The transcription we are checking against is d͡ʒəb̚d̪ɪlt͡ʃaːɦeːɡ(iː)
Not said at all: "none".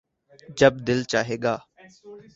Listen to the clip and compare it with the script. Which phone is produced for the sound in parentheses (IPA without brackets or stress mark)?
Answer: aː